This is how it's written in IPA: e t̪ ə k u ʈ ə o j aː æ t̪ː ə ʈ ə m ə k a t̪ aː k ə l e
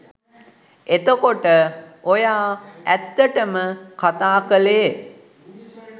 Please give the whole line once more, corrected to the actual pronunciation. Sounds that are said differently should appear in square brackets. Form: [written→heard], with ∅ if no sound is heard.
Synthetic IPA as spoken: e t̪ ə k [u→o] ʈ ə o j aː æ t̪ː ə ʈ ə m ə k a t̪ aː k ə l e

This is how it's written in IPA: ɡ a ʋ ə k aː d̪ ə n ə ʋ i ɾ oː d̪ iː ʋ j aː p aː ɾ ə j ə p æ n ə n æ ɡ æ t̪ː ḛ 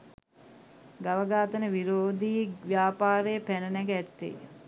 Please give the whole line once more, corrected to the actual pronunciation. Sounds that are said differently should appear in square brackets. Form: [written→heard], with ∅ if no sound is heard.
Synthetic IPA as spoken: ɡ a ʋ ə [k→ɡ] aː [d̪→t̪] ə n ə ʋ i ɾ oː d̪ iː ʋ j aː p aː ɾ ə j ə p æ n ə n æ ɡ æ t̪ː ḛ

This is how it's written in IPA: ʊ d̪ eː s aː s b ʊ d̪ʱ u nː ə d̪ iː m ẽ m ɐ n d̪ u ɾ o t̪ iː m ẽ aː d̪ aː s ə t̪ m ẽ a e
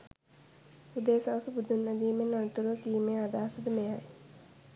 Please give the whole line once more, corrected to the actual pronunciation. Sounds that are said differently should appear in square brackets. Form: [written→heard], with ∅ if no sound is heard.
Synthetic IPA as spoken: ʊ d̪ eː s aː s b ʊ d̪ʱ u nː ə d̪ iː m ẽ [m→n] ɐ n [d̪→t̪] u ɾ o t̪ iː m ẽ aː d̪ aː s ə [t̪→d̪] m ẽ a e

